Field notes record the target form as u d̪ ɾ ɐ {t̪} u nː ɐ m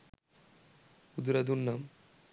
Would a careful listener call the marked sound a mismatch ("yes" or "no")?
yes